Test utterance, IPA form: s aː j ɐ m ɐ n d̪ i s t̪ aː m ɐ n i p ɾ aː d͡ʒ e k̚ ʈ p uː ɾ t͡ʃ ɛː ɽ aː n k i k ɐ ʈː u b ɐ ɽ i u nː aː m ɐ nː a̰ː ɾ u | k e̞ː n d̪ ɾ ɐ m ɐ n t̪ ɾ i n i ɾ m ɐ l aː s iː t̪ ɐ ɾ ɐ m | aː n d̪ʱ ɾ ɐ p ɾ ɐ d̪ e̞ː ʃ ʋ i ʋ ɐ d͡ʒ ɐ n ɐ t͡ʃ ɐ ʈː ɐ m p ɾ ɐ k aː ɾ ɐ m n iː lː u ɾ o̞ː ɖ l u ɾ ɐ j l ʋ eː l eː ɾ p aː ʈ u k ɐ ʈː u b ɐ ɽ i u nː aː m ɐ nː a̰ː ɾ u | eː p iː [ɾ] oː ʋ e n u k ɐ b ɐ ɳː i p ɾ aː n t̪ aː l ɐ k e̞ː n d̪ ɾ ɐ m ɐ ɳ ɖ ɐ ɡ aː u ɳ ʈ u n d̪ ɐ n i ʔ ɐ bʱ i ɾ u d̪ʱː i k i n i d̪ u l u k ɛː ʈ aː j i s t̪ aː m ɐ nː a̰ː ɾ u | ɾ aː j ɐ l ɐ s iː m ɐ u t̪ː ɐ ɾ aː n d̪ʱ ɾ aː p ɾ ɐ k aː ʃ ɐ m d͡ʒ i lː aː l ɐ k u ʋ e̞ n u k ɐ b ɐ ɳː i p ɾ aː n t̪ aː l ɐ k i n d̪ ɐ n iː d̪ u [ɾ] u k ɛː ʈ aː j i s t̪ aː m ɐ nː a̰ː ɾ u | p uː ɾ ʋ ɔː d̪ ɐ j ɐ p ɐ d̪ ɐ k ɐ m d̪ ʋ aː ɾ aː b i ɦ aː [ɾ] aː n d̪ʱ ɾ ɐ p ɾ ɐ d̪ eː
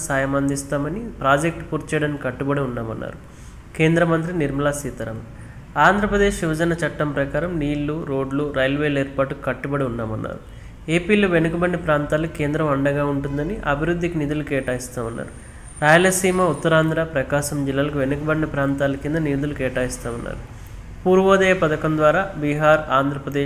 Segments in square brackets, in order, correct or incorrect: incorrect, incorrect, correct

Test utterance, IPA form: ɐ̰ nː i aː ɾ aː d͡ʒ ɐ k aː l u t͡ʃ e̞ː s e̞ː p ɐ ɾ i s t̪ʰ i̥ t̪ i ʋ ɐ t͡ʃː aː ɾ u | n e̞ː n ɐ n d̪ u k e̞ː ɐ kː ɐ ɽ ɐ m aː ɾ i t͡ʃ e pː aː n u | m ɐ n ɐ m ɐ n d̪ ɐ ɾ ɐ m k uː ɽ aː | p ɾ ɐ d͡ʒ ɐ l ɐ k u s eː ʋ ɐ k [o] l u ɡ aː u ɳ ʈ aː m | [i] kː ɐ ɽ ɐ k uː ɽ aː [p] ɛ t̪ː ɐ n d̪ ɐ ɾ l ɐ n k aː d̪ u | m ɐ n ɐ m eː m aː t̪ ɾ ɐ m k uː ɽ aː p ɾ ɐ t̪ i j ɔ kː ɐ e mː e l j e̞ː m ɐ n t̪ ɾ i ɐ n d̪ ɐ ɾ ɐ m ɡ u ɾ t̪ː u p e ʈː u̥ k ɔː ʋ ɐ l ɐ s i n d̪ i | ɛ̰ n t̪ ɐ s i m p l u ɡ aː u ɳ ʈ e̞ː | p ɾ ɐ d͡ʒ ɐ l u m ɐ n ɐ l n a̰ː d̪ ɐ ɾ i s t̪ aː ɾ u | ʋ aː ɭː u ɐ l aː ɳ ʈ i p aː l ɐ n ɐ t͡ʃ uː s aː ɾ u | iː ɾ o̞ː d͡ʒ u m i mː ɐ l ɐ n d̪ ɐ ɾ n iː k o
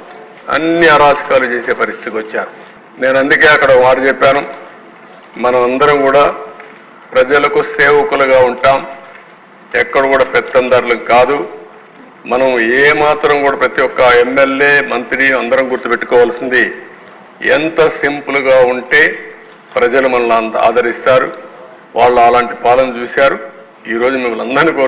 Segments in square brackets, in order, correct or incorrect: incorrect, incorrect, correct

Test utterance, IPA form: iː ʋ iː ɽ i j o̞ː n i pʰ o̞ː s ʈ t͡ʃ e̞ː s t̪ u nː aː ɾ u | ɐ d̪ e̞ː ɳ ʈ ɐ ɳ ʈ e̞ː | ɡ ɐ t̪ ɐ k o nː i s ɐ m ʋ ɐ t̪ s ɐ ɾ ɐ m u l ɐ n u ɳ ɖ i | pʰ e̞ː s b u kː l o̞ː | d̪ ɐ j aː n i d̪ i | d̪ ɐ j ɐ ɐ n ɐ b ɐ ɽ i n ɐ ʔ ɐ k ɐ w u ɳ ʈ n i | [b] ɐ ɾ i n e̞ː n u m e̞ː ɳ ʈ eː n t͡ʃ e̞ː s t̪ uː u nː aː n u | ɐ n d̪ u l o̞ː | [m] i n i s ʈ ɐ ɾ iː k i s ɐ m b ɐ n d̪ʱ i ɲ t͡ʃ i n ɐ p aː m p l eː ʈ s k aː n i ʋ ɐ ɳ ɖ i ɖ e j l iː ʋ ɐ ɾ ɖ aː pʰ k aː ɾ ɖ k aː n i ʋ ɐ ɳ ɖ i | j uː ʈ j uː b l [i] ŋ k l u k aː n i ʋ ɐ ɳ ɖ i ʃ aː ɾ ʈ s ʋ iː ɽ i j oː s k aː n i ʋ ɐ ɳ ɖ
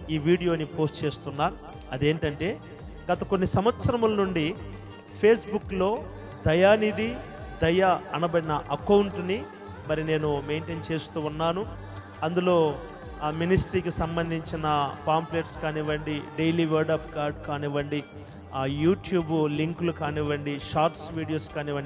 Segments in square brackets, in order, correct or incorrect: incorrect, correct, correct

